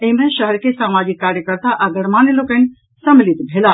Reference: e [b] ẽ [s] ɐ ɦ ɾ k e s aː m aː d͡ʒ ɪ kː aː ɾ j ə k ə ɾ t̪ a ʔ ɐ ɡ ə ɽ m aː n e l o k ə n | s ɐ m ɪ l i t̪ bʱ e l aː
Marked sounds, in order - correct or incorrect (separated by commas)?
incorrect, incorrect